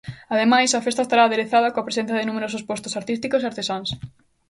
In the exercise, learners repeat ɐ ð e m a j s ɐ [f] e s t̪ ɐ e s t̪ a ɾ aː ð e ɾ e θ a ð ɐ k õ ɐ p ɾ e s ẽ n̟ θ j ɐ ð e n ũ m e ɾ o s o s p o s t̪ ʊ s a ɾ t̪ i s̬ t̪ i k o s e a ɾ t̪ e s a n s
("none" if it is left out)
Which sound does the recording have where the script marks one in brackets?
f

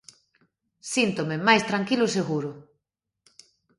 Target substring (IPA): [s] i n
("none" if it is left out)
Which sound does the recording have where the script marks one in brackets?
s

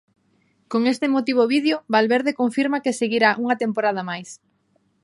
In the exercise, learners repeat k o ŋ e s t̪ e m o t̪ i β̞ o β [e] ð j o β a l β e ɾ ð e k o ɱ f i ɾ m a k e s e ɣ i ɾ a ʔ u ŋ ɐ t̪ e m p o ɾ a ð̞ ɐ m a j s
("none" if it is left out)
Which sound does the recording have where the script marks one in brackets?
i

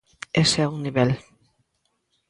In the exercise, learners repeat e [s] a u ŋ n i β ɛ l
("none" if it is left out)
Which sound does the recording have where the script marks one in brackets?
s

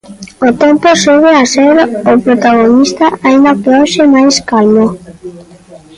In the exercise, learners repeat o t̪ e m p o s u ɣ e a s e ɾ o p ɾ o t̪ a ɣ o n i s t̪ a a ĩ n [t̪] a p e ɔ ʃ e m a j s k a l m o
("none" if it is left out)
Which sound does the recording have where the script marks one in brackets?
d̪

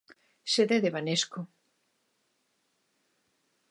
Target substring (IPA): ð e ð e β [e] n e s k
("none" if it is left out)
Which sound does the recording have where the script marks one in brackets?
a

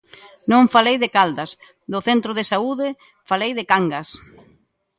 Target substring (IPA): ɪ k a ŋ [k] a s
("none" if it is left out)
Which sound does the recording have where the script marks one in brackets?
ɡ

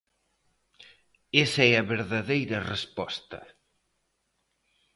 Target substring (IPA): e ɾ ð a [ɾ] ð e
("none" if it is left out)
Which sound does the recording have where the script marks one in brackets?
none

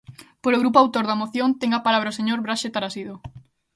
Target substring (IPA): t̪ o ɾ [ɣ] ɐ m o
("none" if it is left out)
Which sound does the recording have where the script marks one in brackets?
ð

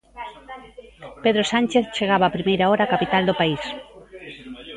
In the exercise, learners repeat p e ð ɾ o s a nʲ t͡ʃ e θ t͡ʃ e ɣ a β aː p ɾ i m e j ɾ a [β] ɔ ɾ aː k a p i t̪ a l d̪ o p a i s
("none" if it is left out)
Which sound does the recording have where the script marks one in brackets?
none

